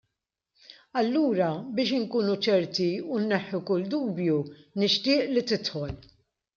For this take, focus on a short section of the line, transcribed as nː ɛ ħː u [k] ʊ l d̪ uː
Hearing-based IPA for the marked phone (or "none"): k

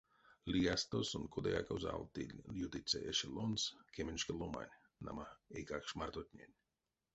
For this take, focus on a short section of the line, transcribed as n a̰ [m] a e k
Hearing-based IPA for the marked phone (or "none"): m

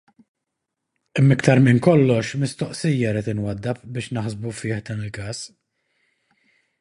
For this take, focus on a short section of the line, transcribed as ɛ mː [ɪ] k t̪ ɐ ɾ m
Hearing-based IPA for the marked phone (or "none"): ɪ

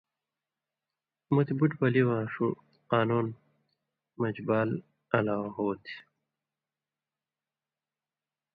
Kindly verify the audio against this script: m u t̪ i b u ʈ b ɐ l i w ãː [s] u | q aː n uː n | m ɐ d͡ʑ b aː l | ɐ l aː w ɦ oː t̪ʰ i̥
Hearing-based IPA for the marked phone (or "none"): ʂ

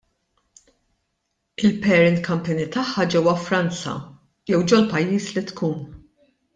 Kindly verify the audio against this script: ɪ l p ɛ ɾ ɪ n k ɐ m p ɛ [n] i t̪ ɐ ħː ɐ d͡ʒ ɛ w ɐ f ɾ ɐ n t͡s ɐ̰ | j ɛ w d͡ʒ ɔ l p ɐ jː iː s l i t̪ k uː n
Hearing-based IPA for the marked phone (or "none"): n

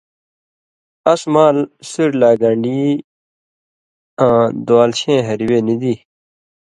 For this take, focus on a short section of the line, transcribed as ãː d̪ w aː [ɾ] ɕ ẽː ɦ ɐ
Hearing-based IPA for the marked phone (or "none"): l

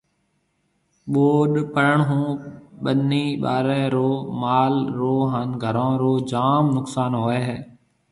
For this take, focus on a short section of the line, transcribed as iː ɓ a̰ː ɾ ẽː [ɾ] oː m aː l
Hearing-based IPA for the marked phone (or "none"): ɾ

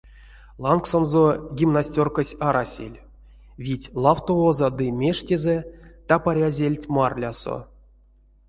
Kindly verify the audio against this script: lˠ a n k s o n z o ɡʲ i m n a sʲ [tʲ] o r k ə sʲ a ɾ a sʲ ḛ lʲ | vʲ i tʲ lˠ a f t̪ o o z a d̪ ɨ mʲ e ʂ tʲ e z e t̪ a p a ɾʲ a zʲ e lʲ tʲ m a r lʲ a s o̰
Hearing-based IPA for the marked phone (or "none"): tʲ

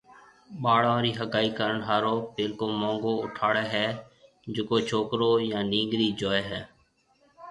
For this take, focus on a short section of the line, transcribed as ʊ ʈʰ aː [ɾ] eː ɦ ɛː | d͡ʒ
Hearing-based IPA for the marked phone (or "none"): ɽ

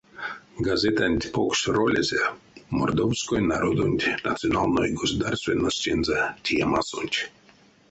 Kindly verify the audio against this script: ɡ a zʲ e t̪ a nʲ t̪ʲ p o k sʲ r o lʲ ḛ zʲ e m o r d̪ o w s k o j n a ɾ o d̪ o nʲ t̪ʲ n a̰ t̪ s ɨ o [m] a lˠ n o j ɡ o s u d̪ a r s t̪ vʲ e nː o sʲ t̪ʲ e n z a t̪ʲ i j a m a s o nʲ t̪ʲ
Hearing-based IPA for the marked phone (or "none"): n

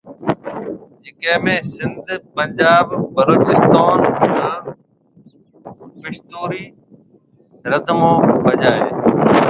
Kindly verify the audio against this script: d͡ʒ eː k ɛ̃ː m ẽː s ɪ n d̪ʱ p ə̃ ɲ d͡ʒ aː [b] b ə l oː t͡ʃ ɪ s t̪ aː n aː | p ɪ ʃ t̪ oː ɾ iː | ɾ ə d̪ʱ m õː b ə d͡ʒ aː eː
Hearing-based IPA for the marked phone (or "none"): b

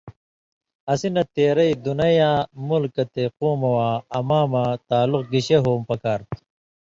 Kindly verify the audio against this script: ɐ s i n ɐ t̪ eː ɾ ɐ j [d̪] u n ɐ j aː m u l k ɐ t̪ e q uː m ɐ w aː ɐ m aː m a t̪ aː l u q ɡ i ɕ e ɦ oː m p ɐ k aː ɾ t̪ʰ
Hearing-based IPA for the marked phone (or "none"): d̪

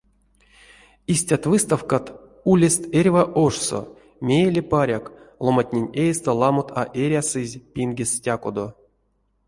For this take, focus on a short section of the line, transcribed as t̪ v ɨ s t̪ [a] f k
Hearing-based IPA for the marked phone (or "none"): a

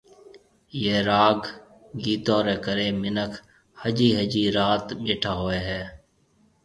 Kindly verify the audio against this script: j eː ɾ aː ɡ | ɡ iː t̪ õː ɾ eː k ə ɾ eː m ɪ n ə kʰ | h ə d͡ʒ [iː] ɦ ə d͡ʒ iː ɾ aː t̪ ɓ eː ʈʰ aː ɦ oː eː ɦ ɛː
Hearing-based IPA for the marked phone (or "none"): iː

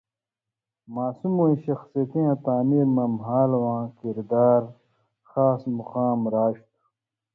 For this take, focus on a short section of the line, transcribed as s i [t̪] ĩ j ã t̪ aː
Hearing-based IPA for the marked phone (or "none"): t̪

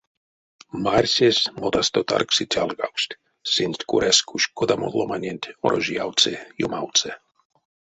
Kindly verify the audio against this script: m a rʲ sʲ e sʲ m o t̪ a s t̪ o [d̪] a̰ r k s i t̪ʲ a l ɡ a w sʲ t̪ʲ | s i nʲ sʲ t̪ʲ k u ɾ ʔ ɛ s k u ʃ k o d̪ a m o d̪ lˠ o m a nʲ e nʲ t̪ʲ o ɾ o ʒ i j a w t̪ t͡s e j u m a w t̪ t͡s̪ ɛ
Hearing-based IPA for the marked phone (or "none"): t̪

